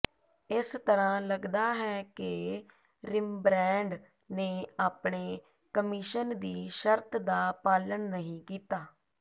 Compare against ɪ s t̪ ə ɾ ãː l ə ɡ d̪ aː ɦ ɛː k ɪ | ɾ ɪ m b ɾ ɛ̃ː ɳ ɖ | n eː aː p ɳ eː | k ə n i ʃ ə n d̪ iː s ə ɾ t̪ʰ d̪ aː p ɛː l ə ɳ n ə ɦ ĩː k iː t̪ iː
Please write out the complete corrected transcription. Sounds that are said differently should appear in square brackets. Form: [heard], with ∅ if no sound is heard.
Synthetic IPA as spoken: ɪ s t̪ ə ɾ ãː l ə ɡ d̪ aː ɦ ɛː k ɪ | ɾ ɪ m b ɾ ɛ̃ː ɳ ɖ | n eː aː p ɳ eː | k ə [m] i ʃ ə n d̪ iː [ʃ] ə ɾ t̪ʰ d̪ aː p [aː] l ə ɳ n ə ɦ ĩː k iː t̪ [aː]